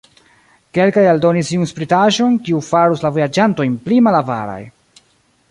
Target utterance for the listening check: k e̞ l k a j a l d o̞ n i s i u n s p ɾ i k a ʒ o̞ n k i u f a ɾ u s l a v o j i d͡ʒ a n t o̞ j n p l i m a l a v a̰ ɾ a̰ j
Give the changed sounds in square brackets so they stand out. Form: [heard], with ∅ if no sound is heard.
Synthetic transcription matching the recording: k e̞ l k a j a l d o̞ n i s i u n s p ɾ i [t] a ʒ o̞ n k i u f a ɾ u s l a v o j [a] d͡ʒ a n t o̞ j n p l i m a l a v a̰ ɾ a̰ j

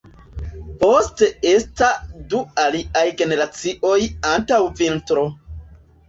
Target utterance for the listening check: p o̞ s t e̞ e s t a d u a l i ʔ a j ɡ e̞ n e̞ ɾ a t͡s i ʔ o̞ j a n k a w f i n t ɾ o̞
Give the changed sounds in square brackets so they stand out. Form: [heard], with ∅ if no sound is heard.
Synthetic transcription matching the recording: p o̞ s t e̞ e s t a d u a l i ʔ a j ɡ e̞ n e̞ ɾ a t͡s i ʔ o̞ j a n [t] a w [v] i n t ɾ o̞

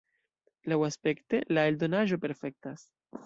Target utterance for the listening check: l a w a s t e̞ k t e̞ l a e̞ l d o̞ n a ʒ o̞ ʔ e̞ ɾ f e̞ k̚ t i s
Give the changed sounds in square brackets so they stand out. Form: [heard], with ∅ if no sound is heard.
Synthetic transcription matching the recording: l a w a s [p] e̞ k t e̞ l a e̞ l d o̞ n a ʒ o̞ [p] e̞ ɾ f e̞ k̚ t [a] s

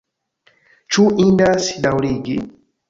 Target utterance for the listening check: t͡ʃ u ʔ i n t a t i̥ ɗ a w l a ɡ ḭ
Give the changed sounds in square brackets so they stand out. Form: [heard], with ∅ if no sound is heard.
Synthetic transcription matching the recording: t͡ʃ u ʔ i n [d] a [s] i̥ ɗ a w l [i] ɡ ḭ

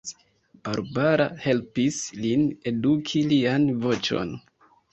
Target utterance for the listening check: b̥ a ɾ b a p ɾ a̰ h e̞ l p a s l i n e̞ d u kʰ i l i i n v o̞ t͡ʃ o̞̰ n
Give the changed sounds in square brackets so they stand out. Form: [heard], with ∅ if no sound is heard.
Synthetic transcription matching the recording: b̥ a ɾ b a [∅] ɾ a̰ h e̞ l p [i] s l i n e̞ d u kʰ i l i [a] n v o̞ t͡ʃ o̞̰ n

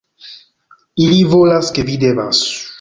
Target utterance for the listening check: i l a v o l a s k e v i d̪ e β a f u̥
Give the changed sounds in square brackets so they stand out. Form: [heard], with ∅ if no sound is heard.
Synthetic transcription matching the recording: i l [i] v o l a s k e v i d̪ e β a [s] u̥

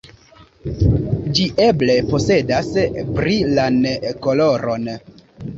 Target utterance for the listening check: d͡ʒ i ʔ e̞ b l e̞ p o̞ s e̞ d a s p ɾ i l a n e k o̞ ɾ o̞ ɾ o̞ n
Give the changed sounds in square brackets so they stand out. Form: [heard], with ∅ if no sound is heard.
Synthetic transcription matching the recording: d͡ʒ i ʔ e̞ b l e̞ p o̞ s e̞ d a s p ɾ i l a n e k o̞ [l] o̞ ɾ o̞ n

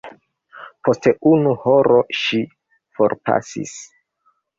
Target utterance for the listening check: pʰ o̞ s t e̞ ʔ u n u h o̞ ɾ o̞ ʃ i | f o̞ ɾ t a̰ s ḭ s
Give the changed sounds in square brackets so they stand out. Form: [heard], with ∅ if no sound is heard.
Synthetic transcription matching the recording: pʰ o̞ s t e̞ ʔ u n u h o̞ ɾ o̞ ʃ i | f o̞ ɾ [p] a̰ s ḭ s

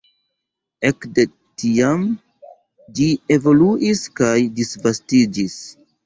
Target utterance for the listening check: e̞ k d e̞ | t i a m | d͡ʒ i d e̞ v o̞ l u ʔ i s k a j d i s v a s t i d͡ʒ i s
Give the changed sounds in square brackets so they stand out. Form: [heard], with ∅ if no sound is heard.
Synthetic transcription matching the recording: e̞ k d e̞ | t i a m | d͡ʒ i [∅] e̞ v o̞ l u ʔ i s k a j d i s v a s t i d͡ʒ i s

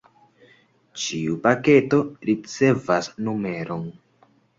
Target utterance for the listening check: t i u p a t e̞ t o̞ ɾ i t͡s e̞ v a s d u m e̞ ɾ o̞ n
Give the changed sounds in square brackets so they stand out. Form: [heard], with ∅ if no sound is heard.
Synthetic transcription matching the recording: [t͡ʃ] i u p a [k] e̞ t o̞ ɾ i t͡s e̞ v a s [n] u m e̞ ɾ o̞ n

